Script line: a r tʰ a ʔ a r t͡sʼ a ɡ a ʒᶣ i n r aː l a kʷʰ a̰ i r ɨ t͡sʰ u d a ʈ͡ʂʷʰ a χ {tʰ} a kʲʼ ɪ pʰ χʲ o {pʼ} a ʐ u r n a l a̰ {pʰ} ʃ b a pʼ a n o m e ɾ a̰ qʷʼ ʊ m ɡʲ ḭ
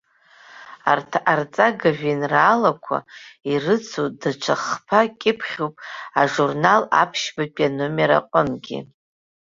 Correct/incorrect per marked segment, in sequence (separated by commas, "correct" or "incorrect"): incorrect, correct, correct